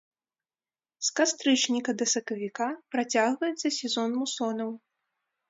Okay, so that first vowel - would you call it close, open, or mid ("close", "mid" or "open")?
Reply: open